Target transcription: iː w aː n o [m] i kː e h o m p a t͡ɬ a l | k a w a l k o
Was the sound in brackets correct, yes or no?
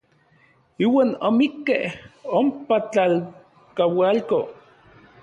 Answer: yes